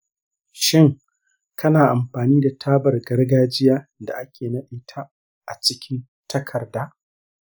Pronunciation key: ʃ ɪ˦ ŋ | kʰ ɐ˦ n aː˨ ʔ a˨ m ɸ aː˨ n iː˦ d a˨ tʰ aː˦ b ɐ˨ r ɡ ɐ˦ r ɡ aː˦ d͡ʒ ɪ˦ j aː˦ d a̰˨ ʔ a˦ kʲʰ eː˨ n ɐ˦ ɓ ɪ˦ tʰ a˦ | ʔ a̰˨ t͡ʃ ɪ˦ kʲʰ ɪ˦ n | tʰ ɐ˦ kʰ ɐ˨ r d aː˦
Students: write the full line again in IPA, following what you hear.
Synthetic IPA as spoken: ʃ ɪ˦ ŋ | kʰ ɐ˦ n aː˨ ʔ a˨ m ɸ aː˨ n iː˦ d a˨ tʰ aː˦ b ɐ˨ r ɡ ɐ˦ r ɡ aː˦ d͡ʒ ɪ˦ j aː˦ d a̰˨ ʔ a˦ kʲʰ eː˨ n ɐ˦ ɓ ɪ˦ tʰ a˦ | ʔ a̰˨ t͡ʃ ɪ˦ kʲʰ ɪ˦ n | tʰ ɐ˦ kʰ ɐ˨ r d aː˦